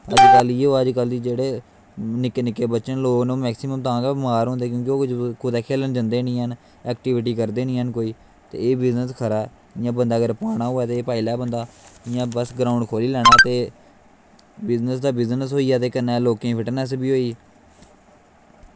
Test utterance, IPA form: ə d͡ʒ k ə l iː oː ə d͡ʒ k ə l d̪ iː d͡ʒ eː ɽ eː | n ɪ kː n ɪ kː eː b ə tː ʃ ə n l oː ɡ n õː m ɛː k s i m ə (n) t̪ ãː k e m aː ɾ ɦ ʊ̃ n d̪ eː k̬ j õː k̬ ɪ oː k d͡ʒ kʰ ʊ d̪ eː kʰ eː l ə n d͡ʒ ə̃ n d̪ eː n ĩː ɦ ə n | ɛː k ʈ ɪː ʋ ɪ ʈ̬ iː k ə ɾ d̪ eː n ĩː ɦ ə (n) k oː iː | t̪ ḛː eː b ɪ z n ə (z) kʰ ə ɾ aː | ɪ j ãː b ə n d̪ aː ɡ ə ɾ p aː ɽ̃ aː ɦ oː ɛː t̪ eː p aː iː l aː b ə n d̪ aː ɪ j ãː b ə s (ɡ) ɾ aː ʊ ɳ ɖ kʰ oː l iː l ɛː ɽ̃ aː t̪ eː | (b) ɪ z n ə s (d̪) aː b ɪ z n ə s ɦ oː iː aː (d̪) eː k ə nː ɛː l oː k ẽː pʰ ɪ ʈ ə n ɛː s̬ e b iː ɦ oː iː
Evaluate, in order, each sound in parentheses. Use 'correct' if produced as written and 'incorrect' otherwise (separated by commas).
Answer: incorrect, correct, incorrect, correct, correct, correct, incorrect